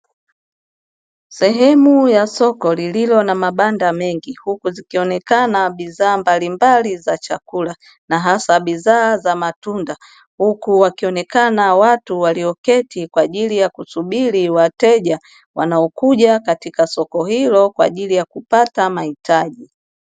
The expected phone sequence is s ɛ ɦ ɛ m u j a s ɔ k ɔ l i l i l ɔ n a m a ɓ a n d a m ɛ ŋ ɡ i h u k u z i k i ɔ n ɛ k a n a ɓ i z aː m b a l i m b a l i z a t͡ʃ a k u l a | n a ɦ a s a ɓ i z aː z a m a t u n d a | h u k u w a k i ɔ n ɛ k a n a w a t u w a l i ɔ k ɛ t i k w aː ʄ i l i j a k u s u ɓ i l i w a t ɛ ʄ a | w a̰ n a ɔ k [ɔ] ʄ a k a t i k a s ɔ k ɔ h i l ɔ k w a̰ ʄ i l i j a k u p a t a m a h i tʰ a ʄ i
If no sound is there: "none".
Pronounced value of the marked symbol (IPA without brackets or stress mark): u